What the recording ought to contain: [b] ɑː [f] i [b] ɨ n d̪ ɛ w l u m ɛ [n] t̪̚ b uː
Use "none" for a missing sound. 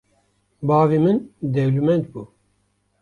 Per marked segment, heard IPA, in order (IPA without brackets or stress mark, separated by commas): b, v, m, n